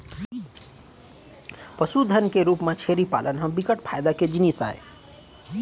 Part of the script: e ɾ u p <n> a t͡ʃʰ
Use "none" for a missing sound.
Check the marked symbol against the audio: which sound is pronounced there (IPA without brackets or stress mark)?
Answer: m